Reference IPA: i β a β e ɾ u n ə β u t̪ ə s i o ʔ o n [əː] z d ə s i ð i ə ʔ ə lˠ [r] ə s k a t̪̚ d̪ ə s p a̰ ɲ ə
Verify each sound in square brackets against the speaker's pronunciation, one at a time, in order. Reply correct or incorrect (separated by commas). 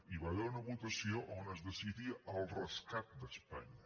incorrect, correct